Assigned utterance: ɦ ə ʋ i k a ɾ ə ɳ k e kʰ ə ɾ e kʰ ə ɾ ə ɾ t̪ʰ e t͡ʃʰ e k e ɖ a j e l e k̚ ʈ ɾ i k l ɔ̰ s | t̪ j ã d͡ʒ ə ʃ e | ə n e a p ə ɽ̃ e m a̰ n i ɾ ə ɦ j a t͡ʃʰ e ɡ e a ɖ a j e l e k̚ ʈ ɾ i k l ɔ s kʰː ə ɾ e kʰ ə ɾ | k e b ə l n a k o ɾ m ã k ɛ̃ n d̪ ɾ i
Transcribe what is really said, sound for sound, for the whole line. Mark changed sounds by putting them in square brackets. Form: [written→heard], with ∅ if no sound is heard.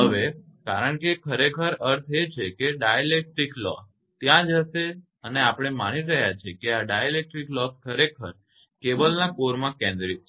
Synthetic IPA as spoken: ɦ ə ʋ [i→e] k a ɾ ə ɳ k e kʰ ə ɾ e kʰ ə ɾ ə ɾ t̪ʰ e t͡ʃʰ e k e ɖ a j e l e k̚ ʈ ɾ i k l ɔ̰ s | t̪ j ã d͡ʒ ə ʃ e | ə n e a p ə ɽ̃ e m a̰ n i ɾ ə ɦ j a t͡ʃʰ e [ɡ→k] e a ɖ a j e l e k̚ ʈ ɾ i k l ɔ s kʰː ə ɾ e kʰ ə ɾ | k e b ə l n a k o ɾ m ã k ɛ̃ n d̪ ɾ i